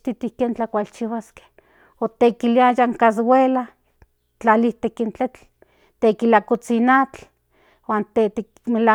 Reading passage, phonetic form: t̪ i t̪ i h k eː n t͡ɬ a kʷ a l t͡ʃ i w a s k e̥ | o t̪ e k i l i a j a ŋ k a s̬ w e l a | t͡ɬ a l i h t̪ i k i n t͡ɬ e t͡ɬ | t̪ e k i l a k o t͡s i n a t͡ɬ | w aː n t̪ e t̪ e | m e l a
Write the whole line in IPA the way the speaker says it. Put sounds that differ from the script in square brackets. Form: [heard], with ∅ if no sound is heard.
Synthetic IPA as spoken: t̪ i t̪ i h k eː n t͡ɬ a kʷ a l t͡ʃ i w a s k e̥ | o t̪ e k i l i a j a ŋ k a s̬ w e l a | t͡ɬ a l i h t̪ [e] k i n t͡ɬ e t͡ɬ | t̪ e k i l a k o t͡s i n a t͡ɬ | w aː n t̪ e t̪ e | m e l a